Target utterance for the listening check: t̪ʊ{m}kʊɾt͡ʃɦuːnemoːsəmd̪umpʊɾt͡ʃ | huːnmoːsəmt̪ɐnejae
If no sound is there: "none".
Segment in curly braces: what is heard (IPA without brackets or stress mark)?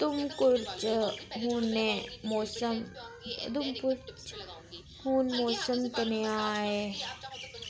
m